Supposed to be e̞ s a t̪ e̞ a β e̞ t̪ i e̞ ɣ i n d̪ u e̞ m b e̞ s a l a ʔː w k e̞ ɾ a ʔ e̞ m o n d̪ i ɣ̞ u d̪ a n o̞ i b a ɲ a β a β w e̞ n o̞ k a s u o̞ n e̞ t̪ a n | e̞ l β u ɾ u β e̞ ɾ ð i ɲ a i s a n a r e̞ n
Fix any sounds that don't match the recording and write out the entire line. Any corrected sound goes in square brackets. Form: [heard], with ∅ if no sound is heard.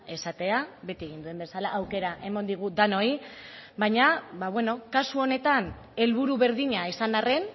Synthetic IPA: e̞ s a t̪ e̞ a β e̞ t̪ i e̞ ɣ i n d̪ u e̞ m b e̞ s a l a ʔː w k e̞ ɾ a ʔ e̞ m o n d̪ i ɣ̞ u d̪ a n o̞ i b a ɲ a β a β w e̞ n o̞ k a s u o̞ n e̞ t̪ a n | e̞ l β u ɾ u β e̞ ɾ ð i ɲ a i s a n a r e̞ n